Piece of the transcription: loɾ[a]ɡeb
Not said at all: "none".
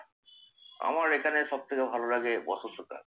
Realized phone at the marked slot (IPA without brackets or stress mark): a